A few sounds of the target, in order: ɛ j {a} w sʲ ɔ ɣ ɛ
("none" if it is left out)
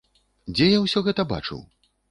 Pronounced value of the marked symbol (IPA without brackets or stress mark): a